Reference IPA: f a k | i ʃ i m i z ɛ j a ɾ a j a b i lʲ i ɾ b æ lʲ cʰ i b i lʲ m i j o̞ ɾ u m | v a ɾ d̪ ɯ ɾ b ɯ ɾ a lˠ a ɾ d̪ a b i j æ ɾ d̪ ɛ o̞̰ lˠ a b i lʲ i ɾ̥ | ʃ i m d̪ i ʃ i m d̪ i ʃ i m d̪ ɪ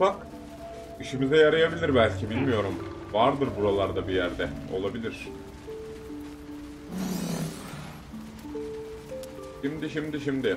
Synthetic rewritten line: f a k | i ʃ i m i z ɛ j a ɾ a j a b i lʲ i ɾ b æ lʲ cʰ i b i lʲ m i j o̞ ɾ u m | v a ɾ d̪ ɯ ɾ b u ɾ a lˠ a ɾ d̪ a b i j æ ɾ d̪ ɛ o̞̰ lˠ a b i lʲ i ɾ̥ | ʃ i m d̪ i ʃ i m d̪ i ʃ i m d̪ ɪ